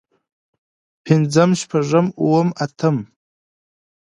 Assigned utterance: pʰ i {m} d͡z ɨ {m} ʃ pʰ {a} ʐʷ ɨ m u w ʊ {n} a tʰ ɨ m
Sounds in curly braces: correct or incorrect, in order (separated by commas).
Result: incorrect, correct, correct, incorrect